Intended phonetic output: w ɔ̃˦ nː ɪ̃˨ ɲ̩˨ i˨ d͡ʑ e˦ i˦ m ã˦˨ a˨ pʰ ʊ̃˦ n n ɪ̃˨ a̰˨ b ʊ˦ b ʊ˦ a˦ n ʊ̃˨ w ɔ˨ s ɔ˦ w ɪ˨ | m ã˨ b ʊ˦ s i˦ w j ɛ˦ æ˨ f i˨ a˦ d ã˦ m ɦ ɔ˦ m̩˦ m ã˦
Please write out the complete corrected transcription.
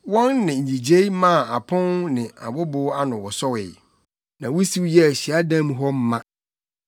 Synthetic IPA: w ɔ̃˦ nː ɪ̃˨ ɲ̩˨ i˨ d͡ʑ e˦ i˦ m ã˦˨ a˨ pʰ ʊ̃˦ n n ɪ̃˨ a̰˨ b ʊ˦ b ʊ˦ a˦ n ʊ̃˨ w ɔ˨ s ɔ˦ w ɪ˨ | n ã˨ w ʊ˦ s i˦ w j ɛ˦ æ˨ ɕ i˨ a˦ d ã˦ m ɦ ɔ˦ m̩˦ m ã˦